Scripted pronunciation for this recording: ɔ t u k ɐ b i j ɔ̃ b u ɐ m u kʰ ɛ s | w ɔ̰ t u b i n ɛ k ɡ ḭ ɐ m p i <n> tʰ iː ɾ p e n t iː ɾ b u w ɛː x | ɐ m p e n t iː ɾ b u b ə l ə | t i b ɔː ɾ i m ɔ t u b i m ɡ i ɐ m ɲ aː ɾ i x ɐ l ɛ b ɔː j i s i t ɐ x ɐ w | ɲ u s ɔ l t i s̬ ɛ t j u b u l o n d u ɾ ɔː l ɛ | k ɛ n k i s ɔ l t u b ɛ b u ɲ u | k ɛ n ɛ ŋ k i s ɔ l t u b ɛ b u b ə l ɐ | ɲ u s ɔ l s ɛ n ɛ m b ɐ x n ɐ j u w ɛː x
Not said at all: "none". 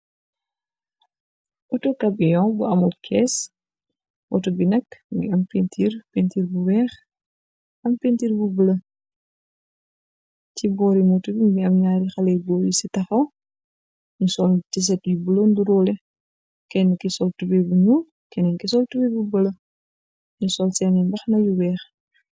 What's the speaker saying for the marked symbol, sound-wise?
n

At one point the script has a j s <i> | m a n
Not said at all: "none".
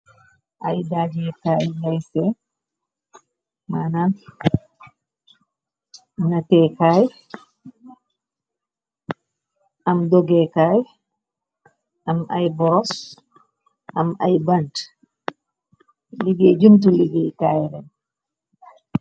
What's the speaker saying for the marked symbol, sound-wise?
ɛ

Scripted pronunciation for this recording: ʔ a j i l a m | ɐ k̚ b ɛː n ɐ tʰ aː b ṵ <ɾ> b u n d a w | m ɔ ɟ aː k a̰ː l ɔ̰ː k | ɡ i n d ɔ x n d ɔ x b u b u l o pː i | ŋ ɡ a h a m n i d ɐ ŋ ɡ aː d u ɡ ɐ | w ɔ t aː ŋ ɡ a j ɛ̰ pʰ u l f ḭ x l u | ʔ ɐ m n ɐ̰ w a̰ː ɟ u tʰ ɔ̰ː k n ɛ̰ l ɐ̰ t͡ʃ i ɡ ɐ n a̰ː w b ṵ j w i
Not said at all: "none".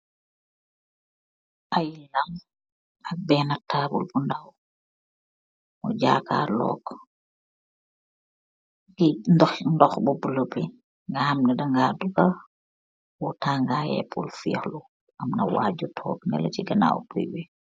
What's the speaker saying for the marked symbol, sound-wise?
l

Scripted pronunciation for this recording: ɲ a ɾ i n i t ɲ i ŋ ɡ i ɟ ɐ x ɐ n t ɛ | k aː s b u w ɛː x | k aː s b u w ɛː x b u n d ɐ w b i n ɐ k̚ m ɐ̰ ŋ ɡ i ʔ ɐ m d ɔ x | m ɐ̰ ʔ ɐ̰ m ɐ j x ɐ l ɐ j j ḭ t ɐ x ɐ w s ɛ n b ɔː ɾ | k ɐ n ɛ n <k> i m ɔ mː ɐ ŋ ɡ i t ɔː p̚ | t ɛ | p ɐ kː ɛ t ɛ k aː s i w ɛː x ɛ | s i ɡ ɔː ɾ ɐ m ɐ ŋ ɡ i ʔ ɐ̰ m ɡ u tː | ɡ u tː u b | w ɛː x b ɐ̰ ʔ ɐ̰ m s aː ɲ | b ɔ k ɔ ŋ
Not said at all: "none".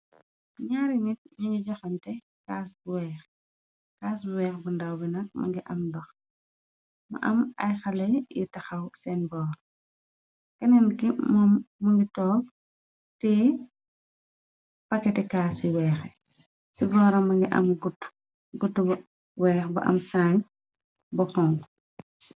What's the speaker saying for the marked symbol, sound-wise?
k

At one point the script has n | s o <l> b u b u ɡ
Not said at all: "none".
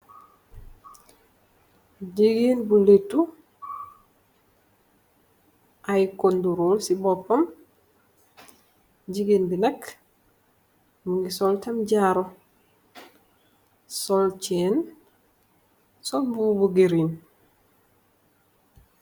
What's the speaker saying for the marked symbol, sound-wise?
l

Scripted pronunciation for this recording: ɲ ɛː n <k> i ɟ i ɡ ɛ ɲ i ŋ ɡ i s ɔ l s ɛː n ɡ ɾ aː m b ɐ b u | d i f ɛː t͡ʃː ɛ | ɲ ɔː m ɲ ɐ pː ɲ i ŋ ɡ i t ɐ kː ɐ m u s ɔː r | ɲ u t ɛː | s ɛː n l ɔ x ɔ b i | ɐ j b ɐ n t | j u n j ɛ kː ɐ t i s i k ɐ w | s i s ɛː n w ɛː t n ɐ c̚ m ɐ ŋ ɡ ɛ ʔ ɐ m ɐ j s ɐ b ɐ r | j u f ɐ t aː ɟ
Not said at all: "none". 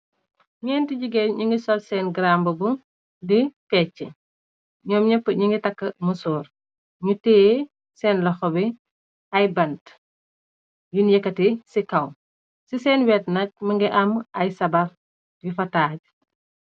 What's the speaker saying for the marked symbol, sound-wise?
t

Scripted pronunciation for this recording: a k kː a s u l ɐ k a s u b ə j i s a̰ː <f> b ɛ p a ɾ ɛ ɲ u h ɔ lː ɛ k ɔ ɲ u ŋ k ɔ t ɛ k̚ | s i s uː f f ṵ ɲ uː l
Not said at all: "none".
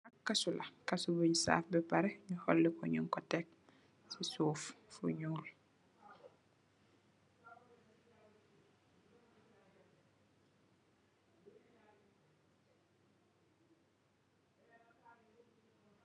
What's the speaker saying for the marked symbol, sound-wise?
f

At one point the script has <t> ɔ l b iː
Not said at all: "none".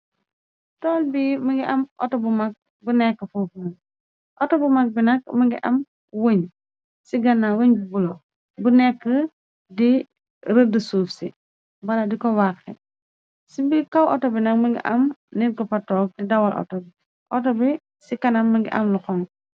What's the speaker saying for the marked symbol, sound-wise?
t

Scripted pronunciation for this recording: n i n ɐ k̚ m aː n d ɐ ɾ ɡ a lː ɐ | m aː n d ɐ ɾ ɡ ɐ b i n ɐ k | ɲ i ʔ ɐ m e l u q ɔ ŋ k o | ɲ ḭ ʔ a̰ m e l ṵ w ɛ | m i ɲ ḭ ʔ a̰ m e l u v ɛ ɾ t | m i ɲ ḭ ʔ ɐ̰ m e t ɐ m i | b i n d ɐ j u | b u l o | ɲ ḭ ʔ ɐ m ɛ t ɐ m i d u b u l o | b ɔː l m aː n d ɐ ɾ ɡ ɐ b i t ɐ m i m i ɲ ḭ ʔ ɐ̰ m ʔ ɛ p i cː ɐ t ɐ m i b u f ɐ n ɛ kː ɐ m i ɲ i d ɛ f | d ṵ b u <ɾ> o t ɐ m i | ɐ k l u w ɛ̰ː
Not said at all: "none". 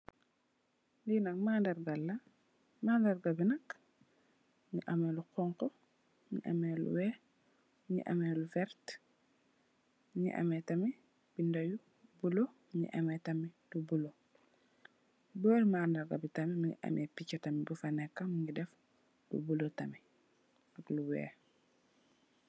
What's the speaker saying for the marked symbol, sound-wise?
l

